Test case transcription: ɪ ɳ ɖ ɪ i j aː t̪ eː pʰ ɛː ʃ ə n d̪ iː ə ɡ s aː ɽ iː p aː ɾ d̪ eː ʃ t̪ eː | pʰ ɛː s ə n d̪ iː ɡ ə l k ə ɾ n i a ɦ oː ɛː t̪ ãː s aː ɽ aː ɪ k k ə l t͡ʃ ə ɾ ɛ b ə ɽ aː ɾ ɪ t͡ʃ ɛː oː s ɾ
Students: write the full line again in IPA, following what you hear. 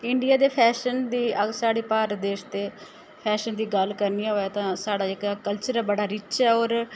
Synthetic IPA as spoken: ɪ ɳ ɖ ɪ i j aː d̪ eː pʰ ɛː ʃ ə n d̪ iː ə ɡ s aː ɽ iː p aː ɾ d̪ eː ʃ t̪ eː | pʰ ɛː ʃ ə n d̪ iː ɡ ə l k ə ɾ n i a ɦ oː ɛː t̪ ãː s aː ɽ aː ɪ k k ə l t͡ʃ ə ɾ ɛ b ə ɽ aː ɾ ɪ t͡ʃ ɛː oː ɾ